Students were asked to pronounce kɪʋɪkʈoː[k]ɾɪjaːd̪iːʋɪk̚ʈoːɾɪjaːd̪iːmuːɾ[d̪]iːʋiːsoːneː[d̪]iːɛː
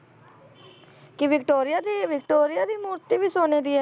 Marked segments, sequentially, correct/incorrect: incorrect: none, incorrect: t̪, correct

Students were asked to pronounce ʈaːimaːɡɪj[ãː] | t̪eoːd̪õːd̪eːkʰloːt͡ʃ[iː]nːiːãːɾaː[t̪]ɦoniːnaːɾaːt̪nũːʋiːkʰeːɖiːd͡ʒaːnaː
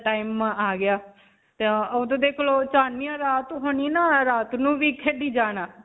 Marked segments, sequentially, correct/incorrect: incorrect: aː, incorrect: aː, correct

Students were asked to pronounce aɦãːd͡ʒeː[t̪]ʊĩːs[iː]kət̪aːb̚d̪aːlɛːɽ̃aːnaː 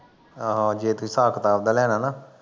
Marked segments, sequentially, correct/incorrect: correct, incorrect: aː

